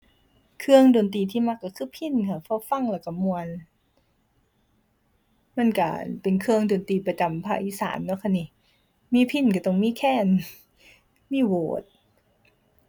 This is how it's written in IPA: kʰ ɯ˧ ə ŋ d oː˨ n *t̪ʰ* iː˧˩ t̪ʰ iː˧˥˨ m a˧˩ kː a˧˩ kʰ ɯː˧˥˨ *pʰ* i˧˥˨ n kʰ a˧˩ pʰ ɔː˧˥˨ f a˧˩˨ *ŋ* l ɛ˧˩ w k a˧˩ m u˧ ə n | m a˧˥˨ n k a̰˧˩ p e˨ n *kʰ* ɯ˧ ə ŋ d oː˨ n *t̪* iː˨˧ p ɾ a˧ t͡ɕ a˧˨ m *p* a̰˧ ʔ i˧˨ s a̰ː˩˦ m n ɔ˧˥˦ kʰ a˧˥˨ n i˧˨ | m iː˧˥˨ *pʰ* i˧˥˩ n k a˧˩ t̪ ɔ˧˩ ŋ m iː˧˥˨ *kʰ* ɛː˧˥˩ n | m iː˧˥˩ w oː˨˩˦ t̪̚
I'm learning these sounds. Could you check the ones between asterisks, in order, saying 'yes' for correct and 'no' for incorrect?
no, yes, yes, yes, yes, no, yes, yes

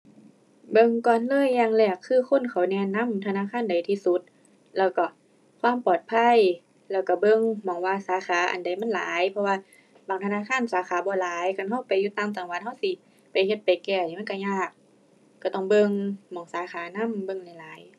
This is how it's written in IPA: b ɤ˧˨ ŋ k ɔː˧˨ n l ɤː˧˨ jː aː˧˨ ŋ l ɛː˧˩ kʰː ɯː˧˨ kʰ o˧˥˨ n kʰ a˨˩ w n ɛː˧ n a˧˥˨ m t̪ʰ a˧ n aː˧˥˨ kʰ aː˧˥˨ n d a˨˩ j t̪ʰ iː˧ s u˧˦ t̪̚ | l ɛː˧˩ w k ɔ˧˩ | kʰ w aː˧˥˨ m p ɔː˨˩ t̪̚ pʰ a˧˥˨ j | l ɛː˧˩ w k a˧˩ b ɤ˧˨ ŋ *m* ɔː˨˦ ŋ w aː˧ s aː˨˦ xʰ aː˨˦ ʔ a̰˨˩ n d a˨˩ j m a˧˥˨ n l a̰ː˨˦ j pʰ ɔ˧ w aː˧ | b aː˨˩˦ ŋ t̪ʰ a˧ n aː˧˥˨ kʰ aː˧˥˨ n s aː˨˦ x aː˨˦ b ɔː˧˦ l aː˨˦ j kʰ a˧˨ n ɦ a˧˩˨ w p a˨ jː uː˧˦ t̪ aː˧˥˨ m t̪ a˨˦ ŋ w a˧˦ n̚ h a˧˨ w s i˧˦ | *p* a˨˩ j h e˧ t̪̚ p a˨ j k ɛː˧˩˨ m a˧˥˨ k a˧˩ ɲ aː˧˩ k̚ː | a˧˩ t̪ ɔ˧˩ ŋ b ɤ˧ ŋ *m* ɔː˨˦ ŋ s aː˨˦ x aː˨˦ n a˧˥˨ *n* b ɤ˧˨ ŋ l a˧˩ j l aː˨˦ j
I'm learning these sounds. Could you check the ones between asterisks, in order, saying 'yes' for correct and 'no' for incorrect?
yes, yes, yes, no

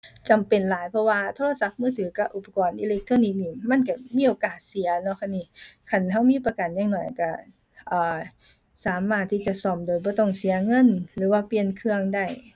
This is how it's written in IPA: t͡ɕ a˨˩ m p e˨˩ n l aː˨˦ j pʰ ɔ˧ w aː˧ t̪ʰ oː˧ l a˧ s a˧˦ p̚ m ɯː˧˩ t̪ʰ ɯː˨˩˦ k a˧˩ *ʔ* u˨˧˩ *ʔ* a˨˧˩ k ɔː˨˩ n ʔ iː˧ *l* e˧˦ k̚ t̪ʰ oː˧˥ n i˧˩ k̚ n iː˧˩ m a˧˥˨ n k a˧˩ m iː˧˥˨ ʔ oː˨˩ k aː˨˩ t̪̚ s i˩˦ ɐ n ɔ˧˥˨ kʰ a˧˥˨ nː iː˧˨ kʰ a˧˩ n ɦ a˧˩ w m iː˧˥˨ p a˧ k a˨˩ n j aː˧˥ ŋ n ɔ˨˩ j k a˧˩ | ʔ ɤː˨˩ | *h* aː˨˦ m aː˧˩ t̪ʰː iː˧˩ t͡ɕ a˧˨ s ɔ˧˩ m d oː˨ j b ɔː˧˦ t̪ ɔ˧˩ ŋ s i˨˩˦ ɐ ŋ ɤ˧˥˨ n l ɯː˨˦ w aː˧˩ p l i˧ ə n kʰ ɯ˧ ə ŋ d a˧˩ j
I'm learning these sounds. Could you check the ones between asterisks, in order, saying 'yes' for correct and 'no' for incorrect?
yes, no, yes, no

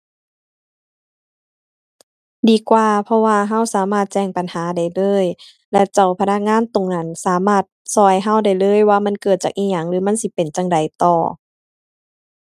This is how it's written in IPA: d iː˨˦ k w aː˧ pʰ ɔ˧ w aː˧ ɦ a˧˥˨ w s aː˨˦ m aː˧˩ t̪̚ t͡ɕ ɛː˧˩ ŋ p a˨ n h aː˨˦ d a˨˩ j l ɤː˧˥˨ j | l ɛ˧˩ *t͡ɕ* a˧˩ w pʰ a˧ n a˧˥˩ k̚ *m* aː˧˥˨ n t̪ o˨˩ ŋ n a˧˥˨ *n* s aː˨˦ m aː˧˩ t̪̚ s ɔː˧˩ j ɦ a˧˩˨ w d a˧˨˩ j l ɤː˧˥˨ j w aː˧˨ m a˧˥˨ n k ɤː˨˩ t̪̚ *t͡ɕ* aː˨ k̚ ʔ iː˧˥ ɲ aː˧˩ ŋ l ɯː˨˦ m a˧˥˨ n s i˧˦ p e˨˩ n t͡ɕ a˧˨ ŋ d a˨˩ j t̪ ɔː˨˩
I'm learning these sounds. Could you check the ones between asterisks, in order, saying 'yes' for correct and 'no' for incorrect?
yes, no, yes, yes

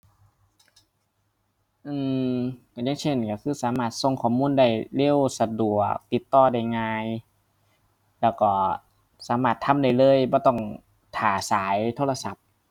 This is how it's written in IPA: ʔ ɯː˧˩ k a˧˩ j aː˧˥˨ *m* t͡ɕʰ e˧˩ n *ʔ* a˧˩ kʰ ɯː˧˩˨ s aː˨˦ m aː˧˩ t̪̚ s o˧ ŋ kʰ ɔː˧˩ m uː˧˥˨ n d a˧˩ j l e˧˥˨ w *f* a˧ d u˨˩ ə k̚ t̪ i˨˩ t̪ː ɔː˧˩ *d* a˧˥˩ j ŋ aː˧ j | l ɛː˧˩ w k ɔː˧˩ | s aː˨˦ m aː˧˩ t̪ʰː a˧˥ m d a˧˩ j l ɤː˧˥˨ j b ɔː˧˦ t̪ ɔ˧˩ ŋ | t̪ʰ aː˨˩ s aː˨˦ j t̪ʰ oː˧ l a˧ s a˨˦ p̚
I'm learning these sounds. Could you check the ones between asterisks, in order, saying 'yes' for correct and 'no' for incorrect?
no, no, no, yes

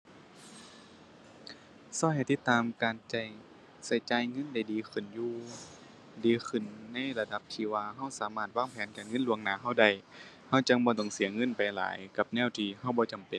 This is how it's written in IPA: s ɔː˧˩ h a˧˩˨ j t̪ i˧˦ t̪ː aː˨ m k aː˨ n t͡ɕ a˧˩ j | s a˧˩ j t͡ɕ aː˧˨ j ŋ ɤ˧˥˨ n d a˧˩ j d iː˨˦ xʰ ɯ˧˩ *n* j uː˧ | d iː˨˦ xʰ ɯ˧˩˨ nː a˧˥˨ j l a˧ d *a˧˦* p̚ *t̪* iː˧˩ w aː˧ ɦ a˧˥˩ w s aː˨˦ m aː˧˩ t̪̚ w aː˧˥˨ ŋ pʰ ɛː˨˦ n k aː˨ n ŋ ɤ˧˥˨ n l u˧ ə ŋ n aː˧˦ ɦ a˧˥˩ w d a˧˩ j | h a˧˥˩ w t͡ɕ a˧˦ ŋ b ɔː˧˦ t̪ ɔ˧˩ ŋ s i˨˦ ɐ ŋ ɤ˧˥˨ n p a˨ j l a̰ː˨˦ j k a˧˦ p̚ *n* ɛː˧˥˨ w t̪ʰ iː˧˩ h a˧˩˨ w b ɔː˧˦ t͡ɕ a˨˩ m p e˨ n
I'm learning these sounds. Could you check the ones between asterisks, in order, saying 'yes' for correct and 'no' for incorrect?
yes, yes, no, yes

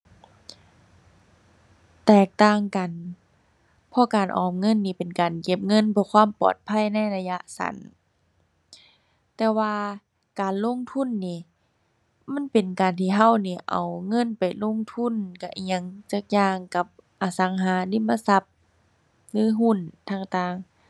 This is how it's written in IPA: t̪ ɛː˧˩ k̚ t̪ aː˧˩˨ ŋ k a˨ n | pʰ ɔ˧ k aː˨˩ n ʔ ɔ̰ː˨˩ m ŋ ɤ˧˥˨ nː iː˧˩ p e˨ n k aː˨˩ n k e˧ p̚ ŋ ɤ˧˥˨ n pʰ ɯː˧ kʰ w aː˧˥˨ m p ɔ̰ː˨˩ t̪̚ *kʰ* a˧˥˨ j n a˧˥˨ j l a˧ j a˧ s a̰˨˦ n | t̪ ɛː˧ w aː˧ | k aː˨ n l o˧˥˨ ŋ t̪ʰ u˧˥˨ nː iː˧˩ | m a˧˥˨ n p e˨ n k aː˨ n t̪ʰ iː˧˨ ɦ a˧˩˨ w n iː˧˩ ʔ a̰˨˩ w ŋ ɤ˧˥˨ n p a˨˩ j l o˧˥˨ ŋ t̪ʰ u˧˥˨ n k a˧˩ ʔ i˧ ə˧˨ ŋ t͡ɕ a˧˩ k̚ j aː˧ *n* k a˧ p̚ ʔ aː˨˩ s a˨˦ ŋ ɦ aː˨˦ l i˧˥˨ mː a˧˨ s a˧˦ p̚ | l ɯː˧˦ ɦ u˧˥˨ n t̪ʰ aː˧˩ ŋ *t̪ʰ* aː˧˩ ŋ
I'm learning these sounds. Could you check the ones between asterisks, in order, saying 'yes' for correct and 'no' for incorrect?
no, no, no

